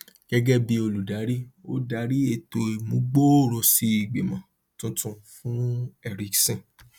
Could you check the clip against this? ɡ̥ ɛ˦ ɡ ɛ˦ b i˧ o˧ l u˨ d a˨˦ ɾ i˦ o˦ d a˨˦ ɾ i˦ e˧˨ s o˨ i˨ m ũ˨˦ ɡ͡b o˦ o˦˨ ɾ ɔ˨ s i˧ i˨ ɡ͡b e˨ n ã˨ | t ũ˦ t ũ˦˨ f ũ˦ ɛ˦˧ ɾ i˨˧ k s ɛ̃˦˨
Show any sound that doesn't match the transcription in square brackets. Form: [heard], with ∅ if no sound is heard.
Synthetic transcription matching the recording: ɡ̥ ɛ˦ ɡ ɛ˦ b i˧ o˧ l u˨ d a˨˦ ɾ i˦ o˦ d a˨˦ ɾ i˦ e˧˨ [t] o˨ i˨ m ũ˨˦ ɡ͡b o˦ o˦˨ ɾ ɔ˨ s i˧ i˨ ɡ͡b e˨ [m] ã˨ | t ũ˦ t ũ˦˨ f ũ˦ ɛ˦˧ ɾ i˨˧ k s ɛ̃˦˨